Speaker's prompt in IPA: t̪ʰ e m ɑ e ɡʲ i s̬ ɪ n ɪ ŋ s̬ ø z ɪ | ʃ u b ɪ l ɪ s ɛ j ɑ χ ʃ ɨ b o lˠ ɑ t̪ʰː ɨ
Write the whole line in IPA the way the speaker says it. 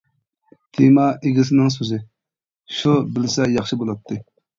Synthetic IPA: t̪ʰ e m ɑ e ɡʲ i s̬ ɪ n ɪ ŋ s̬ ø z ɪ | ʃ u b ɪ l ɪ s ɛ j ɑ χ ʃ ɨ b o lˠ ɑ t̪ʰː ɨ